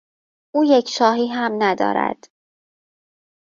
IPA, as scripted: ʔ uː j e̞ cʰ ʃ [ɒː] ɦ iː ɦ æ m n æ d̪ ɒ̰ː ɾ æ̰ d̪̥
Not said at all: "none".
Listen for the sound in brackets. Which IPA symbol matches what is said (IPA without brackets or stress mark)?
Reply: ɒː